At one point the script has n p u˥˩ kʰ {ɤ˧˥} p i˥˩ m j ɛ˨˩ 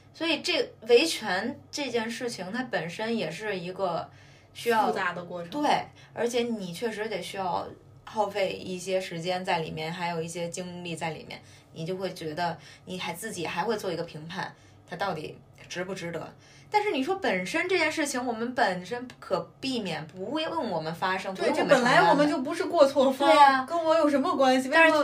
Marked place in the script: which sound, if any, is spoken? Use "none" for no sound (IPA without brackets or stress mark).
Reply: ɤ˨˩